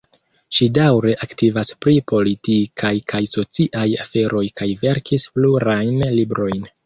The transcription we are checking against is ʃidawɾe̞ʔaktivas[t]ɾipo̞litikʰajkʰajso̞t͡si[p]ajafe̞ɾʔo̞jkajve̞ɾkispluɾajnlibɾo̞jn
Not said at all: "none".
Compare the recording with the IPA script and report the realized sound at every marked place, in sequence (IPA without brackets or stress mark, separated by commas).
p, ʔ